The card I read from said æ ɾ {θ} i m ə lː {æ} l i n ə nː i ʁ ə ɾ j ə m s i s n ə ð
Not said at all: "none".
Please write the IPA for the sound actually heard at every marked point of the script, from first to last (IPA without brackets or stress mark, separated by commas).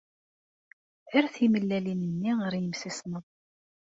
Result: θ, æ